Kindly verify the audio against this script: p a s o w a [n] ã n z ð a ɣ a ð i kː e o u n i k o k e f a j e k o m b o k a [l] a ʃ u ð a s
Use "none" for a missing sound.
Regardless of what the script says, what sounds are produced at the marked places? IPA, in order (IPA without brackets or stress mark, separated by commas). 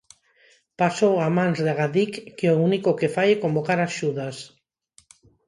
m, ɾ